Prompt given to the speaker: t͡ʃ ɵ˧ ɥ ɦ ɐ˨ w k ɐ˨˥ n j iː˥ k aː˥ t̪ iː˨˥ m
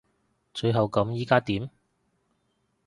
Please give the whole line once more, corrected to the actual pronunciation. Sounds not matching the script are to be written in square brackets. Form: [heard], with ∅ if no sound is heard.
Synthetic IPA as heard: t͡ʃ ɵ˧ ɥ ɦ ɐ˨ w k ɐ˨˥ [m] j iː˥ k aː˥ t̪ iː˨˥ m